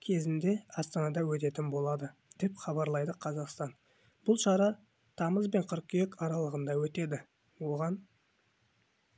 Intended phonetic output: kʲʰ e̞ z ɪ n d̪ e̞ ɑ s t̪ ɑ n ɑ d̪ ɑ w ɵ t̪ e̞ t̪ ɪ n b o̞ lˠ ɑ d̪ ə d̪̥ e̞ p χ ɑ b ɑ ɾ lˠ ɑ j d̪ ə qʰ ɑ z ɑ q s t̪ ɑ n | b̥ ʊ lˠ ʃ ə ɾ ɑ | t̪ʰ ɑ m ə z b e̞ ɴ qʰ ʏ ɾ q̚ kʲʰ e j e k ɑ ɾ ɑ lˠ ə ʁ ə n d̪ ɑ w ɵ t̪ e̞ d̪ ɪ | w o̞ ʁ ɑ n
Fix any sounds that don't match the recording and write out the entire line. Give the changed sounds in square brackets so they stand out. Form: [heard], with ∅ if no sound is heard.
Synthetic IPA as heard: kʲʰ e̞ z ɪ n d̪ e̞ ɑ s t̪ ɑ n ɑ d̪ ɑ w ɵ t̪ e̞ t̪ ɪ n b o̞ lˠ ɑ d̪ ə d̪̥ e̞ p χ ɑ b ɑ ɾ lˠ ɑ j d̪ ə qʰ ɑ z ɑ q s t̪ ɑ n | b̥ ʊ lˠ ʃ [ɑ] ɾ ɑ | t̪ʰ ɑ m ə z b e̞ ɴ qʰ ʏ ɾ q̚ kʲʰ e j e k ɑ ɾ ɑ lˠ ə ʁ ə n d̪ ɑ w ɵ t̪ e̞ d̪ ɪ | w o̞ ʁ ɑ n